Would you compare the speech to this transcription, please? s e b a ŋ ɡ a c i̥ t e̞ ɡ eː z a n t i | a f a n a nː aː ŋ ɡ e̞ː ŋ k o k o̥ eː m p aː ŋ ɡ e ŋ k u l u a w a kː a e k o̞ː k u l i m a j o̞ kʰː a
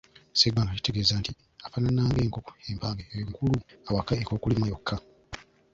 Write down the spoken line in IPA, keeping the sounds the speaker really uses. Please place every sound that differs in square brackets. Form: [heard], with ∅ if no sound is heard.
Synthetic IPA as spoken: s e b a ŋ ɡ a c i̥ t e̞ ɡ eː z a n t i | a f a n a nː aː ŋ ɡ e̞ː ŋ k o k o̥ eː m p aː ŋ ɡ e ŋ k u l u a w a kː a e k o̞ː k u l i m a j o̞ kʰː a

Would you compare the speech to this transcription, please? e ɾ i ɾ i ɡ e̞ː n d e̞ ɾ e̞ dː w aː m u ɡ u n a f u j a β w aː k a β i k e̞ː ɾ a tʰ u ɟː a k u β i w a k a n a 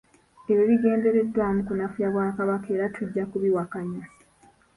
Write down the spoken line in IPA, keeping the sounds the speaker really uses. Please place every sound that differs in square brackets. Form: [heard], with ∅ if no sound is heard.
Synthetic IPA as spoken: e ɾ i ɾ i ɡ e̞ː n d e̞ ɾ e̞ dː w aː m u [k] u n a f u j a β w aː k a β [a] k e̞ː ɾ a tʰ u ɟː a k u β i w a k a [ɲ] a

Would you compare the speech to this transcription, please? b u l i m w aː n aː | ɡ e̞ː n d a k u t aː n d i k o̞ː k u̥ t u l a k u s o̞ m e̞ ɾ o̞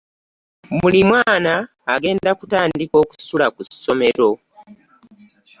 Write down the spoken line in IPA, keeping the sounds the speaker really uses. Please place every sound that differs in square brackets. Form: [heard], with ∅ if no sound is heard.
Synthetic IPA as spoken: [m] u l i m w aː n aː | ɡ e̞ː n d a k u t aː n d i k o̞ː k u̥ [s] u l a k u s o̞ m e̞ ɾ o̞

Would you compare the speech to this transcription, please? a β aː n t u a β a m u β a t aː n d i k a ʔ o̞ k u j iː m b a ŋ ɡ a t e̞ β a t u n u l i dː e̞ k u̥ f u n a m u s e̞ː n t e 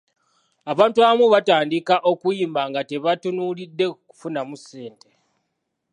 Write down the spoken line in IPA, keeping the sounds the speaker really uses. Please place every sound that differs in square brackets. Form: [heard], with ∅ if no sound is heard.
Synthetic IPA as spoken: a β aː n t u a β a m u β a t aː n d i k a ʔ o̞ k u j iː m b a ŋ ɡ a t e̞ β a t u n u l i dː e̞ k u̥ f u n a m u s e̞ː n t e

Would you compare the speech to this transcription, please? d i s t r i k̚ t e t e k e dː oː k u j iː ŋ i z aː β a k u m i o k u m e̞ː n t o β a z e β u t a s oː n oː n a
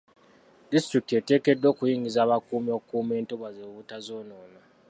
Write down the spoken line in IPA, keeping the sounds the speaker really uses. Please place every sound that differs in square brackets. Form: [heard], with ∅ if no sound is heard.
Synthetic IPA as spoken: d i s t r i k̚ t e t e k e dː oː k u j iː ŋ i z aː β a k u m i o k u m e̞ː n t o β a z e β u t a [z] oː n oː n a

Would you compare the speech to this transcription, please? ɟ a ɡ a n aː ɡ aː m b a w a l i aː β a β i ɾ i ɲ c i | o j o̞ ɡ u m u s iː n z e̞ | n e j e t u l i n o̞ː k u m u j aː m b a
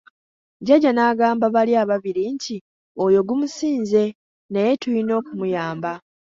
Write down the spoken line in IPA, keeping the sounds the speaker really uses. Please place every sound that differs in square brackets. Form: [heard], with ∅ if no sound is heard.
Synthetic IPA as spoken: ɟ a [ɟ] a n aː ɡ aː m b a [β] a l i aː β a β i ɾ i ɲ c i | o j o̞ ɡ u m u s iː n z e̞ | n e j e t u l i n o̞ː k u m u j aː m b a

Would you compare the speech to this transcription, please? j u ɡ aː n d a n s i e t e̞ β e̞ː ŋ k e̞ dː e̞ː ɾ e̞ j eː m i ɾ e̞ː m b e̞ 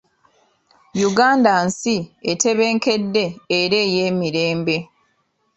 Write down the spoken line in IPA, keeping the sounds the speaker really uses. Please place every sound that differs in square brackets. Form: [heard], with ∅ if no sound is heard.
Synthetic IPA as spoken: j u ɡ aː n d a n s i e t e̞ β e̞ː ŋ k e̞ dː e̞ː ɾ e̞ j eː m i ɾ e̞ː m b e̞

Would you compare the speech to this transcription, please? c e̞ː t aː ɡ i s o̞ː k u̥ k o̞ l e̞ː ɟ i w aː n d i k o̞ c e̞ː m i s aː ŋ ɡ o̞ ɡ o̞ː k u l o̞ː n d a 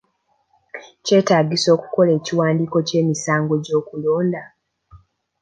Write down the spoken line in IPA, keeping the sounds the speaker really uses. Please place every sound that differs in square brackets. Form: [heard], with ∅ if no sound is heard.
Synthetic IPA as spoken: c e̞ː t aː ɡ i s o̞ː k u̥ k o̞ l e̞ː [c] i w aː n d i k o̞ c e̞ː m i s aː ŋ ɡ o̞ [ɟ] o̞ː k u l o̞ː n d a

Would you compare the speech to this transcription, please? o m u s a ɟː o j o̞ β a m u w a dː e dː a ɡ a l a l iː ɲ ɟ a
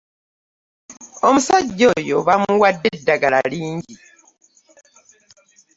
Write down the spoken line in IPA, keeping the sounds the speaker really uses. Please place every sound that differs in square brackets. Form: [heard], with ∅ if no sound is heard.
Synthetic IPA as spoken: o m u s a ɟː o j o̞ β a m u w a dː e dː a ɡ a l a l iː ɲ ɟ [i]

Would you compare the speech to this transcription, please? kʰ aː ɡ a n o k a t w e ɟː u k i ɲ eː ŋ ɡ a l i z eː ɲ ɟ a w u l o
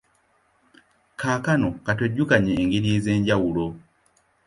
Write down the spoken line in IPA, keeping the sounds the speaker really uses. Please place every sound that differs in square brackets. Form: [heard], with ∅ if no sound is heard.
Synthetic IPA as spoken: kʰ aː [k] a n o k a t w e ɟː u k [a] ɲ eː ŋ ɡ [i] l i z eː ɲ ɟ a w u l o

